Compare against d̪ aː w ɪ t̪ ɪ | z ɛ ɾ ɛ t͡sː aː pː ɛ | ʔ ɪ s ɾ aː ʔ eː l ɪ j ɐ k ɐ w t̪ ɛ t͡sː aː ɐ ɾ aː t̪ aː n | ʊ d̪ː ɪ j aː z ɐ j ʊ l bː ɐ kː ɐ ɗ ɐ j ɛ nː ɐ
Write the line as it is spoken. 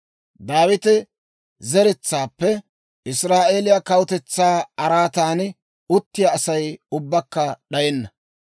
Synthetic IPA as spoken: d̪ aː w ɪ t̪ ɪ | z ɛ ɾ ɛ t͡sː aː pː ɛ | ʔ ɪ s ɾ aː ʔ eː l ɪ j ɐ k ɐ w t̪ ɛ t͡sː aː ɐ ɾ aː t̪ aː n | ʊ t̪ː ɪ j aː s ɐ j ʊ bː ɐ kː ɐ ɗ ɐ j ɛ nː ɐ